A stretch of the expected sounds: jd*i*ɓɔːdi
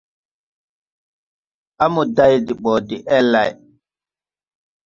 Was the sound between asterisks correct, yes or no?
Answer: yes